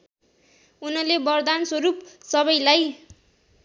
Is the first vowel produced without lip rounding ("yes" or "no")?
no